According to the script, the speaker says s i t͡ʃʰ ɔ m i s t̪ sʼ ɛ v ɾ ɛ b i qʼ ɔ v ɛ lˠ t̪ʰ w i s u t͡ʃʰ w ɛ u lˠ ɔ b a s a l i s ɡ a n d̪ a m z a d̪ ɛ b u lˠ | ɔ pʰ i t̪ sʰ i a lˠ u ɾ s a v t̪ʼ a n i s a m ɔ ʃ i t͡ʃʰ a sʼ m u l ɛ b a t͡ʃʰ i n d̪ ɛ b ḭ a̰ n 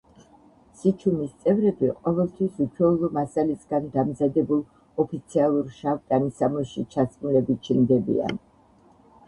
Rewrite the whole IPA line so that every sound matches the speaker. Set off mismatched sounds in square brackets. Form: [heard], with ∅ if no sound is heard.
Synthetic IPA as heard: s i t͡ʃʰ [u] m i s t̪ sʼ ɛ v ɾ ɛ b i qʼ ɔ v ɛ lˠ t̪ʰ w i s u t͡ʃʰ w ɛ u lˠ ɔ [m] a s a l i s ɡ a n d̪ a m z a d̪ ɛ b u lˠ | ɔ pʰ i t̪ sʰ i a lˠ u ɾ [ʃ] a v t̪ʼ a n i s a m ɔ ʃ i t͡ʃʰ a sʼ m u l ɛ b [i] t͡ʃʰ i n d̪ ɛ b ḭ a̰ n